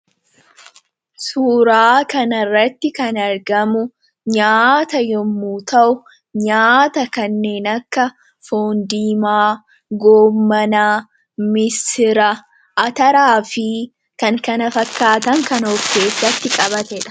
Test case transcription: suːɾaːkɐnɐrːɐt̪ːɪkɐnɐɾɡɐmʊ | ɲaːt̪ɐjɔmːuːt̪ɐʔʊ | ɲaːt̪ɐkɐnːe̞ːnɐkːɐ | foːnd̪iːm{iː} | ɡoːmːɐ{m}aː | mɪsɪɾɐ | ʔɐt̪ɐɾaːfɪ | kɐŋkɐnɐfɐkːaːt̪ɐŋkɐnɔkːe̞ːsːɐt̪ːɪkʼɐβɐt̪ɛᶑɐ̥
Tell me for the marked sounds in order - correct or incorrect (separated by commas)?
incorrect, incorrect